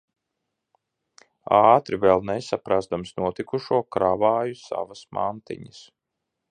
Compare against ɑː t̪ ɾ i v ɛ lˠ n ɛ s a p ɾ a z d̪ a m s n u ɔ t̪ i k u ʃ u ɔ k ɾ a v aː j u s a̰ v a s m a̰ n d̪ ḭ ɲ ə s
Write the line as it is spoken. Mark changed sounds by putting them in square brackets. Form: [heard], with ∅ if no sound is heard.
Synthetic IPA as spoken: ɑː t̪ ɾ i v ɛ lˠ n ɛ s a p ɾ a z d̪ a m s n u ɔ t̪ i k u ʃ u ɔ k ɾ a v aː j u s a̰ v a s m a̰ n [t̪] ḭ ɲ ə s